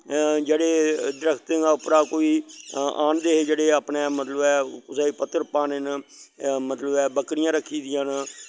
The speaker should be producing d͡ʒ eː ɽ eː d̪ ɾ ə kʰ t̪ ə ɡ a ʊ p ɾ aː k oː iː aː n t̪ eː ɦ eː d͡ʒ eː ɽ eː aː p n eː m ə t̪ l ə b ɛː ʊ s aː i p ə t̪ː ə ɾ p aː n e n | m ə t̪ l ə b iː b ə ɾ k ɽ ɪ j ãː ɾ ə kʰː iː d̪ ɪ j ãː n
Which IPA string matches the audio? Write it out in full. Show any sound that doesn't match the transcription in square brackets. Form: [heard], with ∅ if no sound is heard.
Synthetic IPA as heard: d͡ʒ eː ɽ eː d̪ ɾ ə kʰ t̪ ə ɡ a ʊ p ɾ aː k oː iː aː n [d̪] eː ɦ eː d͡ʒ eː ɽ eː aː p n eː m ə t̪ l ə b ɛː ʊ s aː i p ə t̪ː ə ɾ p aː n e n | m ə t̪ l ə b [ɛː] b ə [∅] k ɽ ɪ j ãː ɾ ə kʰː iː d̪ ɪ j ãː n